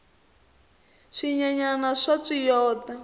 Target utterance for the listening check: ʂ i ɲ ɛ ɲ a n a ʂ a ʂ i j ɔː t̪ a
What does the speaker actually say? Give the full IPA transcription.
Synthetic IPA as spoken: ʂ i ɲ a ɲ a n a ʂ a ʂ i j ɔː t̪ a